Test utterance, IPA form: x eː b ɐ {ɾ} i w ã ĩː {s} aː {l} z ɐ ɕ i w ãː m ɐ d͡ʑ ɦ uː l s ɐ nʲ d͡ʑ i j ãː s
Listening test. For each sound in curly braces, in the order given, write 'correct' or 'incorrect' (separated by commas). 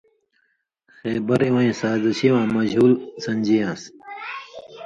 correct, correct, incorrect